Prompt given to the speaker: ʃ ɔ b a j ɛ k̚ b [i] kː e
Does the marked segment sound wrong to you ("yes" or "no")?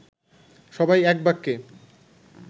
yes